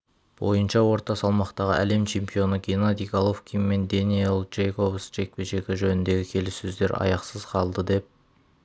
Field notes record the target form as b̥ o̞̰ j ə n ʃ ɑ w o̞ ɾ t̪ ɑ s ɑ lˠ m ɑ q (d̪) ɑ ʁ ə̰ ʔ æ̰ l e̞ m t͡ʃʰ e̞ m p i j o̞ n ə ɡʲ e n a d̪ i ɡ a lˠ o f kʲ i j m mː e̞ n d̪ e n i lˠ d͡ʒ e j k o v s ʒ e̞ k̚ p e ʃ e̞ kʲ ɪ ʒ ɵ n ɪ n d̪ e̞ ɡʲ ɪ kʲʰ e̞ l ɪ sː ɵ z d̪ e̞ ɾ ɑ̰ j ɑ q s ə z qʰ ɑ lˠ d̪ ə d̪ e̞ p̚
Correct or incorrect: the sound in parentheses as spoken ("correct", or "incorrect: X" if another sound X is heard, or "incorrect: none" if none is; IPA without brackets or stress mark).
incorrect: t̪